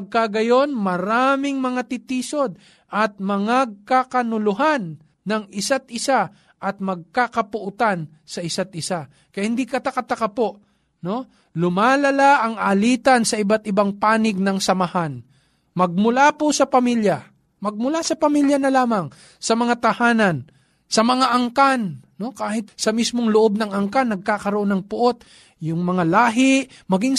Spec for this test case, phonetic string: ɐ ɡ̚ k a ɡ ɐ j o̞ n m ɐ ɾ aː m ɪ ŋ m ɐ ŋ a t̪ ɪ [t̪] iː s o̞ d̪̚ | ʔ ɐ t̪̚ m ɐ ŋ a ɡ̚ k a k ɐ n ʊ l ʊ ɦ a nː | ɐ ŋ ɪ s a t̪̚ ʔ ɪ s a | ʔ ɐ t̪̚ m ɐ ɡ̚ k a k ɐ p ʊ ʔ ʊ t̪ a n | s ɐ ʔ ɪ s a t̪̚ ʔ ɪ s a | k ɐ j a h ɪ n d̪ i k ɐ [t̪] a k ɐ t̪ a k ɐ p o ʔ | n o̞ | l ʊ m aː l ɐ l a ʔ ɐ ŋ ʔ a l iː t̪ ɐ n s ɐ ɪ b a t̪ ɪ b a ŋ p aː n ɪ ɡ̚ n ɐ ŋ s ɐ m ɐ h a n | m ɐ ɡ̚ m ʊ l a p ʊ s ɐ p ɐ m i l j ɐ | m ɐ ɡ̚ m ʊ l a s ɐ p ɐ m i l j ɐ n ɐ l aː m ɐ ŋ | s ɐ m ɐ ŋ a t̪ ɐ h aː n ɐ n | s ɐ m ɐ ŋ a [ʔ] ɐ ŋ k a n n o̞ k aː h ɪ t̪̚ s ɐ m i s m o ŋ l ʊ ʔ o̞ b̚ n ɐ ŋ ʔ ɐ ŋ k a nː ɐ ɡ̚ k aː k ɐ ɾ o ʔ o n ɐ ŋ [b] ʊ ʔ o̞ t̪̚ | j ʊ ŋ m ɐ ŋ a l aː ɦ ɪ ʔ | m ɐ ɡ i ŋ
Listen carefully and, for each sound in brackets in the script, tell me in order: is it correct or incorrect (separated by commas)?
correct, correct, correct, incorrect